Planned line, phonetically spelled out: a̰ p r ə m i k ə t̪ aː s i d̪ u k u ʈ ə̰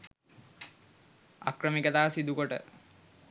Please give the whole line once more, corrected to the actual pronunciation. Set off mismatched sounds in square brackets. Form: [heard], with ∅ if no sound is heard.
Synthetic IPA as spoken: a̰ [k] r ə m i k ə t̪ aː s i d̪ u k [o] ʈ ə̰